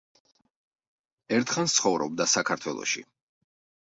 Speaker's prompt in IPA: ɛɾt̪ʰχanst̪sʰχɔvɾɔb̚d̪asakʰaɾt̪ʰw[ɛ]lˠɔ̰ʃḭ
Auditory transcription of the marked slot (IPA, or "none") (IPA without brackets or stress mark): ɛ